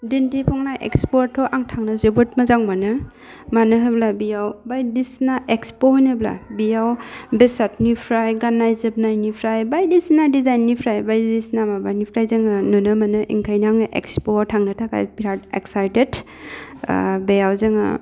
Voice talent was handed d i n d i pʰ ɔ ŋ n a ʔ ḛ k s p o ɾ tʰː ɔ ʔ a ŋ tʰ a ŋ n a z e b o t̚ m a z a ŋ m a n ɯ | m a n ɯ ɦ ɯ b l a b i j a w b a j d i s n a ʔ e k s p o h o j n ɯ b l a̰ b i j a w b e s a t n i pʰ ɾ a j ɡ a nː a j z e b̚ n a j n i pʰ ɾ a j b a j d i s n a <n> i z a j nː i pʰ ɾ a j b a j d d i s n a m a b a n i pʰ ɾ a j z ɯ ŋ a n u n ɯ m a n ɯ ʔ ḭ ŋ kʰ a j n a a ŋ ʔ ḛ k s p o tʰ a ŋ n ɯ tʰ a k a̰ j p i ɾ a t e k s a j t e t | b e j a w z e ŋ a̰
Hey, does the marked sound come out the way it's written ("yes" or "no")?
no